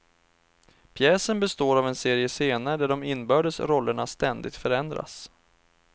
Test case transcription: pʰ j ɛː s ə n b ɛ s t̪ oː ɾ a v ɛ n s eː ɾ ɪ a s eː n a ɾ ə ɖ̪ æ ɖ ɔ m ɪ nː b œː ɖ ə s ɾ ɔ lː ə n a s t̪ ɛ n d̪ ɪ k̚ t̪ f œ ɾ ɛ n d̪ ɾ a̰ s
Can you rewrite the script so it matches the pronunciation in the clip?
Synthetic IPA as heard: pʰ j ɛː s ə n b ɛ s t̪ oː ɾ a v ɛ n s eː ɾ ɪ ə s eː n a ɾ ə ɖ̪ æ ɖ ɔ m ɪ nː b œː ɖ ə s ɾ ɔ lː ə ɳ a s t̪ ɛ n d̪ ɪ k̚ t̪ f œ ɾ ɛ n d̪ ɾ a̰ s